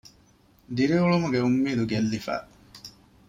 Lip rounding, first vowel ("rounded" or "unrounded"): unrounded